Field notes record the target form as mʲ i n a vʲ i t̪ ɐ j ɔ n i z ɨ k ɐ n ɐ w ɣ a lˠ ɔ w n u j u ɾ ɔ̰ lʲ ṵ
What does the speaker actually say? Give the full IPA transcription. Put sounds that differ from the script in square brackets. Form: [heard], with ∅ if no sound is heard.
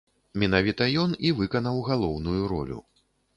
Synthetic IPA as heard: mʲ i n a vʲ i t̪ ɐ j ɔ n i [v] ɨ k ɐ n ɐ w ɣ a lˠ ɔ w n u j u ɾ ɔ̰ lʲ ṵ